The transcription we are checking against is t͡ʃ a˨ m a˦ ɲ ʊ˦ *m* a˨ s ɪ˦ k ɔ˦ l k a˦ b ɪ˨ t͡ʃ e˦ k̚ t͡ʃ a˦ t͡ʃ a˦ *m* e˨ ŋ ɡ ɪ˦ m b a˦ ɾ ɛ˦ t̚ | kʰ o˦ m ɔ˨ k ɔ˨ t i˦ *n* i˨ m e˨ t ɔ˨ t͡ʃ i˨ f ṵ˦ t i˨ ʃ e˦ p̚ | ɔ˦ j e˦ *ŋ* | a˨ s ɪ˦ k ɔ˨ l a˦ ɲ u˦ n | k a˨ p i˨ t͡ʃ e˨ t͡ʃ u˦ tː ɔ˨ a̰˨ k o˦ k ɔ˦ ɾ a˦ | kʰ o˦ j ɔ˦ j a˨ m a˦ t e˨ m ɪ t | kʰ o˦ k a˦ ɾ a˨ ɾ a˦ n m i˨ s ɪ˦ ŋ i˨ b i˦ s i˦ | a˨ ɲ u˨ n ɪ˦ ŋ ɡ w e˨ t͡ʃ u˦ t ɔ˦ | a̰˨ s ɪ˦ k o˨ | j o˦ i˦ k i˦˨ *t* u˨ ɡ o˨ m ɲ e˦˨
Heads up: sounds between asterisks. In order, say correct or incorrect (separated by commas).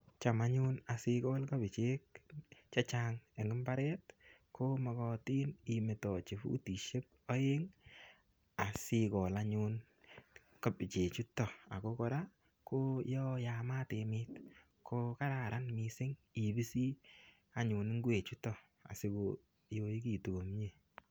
incorrect, incorrect, correct, correct, correct